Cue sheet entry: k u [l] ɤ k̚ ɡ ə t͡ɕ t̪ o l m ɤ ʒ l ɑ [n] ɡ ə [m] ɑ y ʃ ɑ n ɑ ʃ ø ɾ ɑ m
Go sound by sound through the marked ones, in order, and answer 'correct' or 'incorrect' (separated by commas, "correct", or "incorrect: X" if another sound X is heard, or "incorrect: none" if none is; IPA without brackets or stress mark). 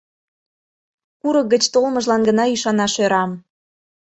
incorrect: ɾ, correct, incorrect: n